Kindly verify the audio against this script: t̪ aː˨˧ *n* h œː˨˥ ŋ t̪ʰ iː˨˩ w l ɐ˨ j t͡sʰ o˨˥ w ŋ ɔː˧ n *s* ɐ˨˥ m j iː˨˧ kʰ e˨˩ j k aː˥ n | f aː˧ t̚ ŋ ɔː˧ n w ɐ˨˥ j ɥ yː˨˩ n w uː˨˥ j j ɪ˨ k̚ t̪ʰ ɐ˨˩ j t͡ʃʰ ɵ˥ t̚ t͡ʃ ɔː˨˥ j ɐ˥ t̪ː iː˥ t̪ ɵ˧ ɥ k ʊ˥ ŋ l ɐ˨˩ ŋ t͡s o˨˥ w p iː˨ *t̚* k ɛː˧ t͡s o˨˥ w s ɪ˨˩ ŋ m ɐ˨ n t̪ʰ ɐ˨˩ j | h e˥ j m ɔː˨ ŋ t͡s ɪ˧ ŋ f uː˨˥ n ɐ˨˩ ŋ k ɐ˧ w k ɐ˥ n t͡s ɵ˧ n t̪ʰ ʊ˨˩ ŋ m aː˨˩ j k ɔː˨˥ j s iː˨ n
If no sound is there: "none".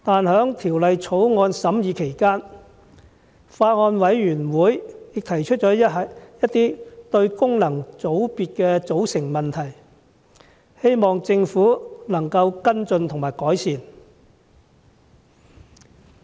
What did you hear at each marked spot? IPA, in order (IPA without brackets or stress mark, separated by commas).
n, s, t̚